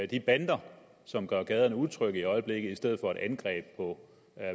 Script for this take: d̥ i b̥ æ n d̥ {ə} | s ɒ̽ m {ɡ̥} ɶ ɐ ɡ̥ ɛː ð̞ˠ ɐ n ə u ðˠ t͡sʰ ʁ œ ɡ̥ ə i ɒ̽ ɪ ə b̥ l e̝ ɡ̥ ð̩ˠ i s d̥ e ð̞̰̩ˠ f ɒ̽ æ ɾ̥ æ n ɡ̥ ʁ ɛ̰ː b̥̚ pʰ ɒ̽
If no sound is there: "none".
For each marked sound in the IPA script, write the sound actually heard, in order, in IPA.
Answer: ɐ, ɡ̥

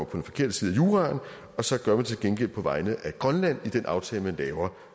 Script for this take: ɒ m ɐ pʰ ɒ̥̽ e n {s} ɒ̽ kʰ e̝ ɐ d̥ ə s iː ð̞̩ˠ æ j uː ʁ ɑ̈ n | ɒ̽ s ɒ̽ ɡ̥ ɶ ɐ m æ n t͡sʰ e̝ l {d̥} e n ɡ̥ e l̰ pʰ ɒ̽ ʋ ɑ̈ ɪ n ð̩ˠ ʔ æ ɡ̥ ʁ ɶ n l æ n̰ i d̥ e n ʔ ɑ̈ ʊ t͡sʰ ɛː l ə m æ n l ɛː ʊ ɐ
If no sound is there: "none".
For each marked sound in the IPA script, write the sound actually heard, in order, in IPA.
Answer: f, ɡ̥

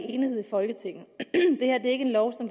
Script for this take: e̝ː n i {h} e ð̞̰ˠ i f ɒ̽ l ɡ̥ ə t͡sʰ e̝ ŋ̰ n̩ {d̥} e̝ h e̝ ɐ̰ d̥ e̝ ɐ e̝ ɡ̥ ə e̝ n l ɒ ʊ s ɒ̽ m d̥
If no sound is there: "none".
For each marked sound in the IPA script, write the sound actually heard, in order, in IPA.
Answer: h, d̥

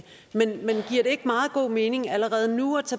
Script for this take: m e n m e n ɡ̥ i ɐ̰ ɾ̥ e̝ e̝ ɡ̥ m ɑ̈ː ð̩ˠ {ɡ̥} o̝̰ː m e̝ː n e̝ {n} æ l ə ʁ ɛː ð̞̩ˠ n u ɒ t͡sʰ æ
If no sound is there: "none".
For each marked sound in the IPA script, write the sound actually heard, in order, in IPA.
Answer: ɡ̥, ŋ

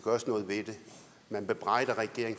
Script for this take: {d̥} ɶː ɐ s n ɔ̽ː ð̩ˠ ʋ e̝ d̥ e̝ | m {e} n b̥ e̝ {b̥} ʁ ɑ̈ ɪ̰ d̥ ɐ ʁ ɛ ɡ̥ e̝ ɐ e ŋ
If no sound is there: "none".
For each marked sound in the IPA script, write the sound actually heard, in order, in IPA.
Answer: ɡ̥, æ, b̥

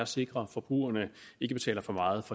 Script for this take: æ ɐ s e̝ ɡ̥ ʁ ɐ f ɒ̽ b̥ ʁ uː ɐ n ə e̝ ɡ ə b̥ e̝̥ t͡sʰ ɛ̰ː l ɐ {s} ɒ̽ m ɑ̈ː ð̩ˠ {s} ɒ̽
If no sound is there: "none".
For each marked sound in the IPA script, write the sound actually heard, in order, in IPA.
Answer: f, f

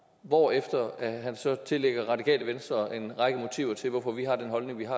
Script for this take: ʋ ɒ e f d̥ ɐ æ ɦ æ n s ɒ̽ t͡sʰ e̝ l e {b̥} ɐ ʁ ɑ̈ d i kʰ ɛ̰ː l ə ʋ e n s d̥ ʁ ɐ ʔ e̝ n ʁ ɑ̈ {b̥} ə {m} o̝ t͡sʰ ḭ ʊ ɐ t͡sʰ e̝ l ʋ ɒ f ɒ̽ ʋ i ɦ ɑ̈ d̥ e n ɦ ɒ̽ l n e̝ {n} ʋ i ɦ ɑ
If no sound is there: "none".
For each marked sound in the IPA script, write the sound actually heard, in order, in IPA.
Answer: ɡ̥, ɡ̥, m, ŋ

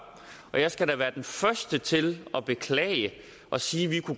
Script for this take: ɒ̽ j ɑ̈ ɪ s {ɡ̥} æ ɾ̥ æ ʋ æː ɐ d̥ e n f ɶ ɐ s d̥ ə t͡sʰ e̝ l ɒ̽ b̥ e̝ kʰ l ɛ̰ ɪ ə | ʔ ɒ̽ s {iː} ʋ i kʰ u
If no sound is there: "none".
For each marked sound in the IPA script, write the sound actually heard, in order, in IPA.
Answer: ɡ̥, iː

